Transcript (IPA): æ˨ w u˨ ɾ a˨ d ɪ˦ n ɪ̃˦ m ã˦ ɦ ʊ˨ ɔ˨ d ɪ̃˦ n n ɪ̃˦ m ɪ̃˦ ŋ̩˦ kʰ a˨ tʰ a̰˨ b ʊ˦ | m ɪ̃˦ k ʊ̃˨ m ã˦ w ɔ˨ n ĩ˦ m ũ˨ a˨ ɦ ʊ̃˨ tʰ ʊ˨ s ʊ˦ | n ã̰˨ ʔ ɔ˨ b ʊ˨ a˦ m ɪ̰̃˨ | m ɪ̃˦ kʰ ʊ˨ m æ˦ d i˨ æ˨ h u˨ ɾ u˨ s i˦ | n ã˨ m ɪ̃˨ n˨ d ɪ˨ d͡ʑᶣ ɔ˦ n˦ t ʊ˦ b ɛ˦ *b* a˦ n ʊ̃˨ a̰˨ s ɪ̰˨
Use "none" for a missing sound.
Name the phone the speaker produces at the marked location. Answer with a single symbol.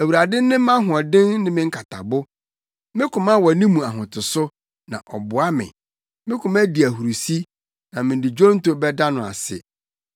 d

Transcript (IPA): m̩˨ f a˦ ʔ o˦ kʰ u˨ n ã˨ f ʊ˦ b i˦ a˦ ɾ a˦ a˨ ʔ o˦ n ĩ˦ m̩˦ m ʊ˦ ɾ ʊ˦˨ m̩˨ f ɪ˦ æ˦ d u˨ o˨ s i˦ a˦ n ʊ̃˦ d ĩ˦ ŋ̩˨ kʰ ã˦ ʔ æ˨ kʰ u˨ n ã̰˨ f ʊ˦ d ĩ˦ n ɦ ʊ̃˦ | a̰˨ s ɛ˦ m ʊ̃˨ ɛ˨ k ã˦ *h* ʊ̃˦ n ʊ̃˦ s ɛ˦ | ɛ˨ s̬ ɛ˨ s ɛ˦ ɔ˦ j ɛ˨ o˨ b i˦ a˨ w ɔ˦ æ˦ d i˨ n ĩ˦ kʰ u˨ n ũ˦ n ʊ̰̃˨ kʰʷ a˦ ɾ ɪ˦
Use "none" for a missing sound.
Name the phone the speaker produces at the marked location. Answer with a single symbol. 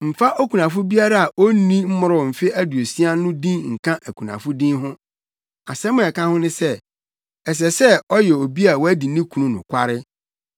h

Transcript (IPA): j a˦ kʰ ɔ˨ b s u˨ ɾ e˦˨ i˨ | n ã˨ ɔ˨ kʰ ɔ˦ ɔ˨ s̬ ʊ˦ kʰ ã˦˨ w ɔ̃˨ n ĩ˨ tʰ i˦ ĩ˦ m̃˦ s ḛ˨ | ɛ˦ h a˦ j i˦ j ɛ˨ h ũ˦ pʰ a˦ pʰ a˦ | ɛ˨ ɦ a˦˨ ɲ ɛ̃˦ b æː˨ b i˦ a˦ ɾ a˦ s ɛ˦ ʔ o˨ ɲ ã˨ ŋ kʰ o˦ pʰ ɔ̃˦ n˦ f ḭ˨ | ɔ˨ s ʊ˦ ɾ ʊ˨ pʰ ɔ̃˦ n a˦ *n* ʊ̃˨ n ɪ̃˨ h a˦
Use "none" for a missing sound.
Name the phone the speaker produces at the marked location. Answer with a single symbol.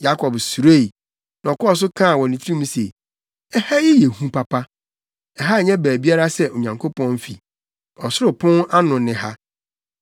n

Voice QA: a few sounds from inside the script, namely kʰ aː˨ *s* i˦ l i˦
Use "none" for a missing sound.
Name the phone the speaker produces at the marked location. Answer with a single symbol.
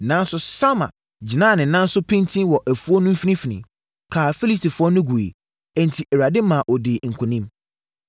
f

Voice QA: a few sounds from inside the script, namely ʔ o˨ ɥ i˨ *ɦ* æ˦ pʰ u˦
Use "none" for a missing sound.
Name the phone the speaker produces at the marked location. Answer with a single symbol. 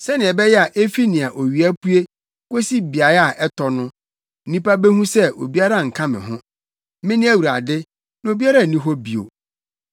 none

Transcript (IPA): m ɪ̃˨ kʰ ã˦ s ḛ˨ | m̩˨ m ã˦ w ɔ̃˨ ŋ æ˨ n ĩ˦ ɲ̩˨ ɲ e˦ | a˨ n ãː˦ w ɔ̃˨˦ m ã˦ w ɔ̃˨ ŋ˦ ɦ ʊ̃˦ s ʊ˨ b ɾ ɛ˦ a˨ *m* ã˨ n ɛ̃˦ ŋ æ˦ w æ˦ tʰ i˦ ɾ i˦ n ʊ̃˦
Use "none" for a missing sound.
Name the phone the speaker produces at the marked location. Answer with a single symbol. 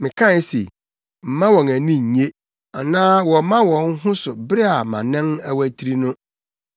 m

